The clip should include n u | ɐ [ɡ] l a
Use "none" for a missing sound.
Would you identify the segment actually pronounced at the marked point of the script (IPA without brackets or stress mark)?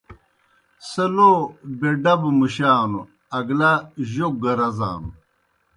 ɡ